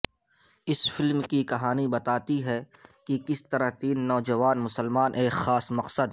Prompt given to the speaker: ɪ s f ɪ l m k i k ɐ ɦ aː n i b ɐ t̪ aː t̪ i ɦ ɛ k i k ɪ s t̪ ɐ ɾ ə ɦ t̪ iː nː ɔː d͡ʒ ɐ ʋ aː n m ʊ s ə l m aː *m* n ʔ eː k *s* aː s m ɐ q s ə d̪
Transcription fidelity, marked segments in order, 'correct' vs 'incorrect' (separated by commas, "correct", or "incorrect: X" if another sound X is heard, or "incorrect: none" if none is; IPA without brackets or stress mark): incorrect: none, incorrect: x